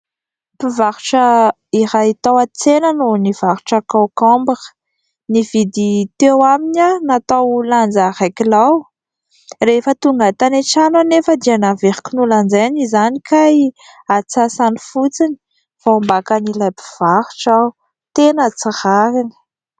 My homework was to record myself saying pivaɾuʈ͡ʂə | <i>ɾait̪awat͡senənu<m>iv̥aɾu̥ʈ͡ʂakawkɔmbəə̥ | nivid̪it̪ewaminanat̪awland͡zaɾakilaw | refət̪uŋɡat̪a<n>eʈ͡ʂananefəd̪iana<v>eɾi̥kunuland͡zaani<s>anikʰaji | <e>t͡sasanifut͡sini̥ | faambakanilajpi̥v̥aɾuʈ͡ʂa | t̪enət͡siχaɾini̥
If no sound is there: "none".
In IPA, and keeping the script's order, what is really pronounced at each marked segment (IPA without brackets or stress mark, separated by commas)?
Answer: i, n, n, v, z, a